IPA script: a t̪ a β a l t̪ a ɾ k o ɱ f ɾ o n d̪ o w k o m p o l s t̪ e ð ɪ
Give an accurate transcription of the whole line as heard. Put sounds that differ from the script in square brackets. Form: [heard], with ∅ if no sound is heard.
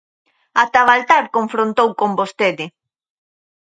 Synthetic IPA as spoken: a t̪ a β a l t̪ a ɾ k o ɱ f ɾ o n [t̪] o w k o m [b] o [∅] s t̪ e ð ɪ